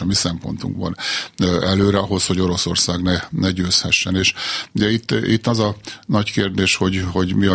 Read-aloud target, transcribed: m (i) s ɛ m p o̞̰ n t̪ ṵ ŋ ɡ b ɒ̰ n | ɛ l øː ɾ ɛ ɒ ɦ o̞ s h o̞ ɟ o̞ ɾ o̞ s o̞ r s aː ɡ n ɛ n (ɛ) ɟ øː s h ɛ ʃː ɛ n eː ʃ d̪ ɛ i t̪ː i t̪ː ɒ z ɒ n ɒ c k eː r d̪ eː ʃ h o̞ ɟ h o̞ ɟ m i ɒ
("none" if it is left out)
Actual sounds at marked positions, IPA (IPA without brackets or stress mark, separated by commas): i, ɛ